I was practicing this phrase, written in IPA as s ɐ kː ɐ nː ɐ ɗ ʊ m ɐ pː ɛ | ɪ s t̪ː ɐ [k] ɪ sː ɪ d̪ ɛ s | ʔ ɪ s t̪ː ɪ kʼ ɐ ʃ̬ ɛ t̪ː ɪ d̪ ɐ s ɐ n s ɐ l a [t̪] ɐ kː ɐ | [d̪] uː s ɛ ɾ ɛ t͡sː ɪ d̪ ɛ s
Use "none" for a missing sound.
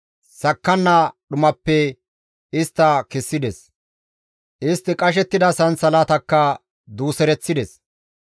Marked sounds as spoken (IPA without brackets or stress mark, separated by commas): k, t̪, d̪